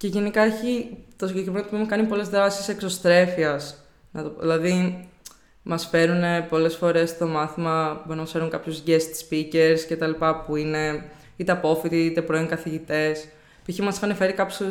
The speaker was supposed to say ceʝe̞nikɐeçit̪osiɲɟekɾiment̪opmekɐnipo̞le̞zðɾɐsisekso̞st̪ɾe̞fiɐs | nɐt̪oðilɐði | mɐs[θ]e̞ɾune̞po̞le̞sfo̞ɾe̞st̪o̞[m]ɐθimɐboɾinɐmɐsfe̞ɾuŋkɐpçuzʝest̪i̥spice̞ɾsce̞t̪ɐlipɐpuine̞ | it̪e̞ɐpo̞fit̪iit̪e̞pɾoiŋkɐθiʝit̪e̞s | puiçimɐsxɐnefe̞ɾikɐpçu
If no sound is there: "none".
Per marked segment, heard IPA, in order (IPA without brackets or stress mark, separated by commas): f, m